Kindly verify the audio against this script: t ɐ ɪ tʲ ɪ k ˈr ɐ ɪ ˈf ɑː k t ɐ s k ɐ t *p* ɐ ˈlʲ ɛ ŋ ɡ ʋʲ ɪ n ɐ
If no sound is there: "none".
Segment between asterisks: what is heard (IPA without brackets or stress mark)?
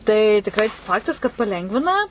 p